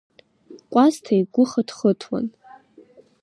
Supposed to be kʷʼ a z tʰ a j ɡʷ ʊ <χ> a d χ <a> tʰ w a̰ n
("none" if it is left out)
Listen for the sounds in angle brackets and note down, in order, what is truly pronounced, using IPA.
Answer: χ, ə

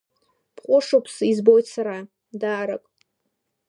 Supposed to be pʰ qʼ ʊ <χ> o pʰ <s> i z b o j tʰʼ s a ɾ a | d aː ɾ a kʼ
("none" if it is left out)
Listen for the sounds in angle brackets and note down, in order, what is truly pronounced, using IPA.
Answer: ʂ, s

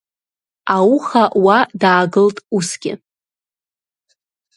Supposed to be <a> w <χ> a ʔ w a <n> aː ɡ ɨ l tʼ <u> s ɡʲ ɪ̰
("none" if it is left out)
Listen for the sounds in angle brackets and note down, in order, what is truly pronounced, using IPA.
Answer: a, χ, d, u

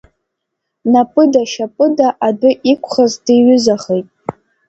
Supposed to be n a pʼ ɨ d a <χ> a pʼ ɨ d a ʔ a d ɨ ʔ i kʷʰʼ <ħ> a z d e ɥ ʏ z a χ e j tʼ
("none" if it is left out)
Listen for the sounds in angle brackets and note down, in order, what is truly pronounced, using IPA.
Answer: ʃ, χ

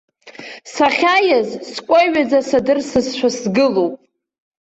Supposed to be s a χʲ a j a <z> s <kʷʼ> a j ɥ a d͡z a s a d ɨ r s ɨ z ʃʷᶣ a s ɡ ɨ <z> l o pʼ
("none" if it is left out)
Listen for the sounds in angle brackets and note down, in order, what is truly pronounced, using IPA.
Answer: z, kʷʼ, none

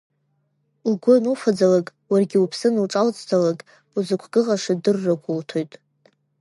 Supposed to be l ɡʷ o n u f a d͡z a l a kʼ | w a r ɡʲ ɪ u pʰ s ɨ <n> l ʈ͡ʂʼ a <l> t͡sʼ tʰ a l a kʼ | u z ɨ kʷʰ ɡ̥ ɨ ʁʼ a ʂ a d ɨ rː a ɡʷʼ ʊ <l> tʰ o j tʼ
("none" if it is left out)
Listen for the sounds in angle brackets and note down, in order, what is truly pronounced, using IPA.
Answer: n, l, l

